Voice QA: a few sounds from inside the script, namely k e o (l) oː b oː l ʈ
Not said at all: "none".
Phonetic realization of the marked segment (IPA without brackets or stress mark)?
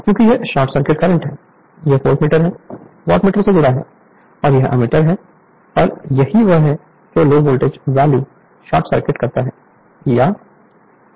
l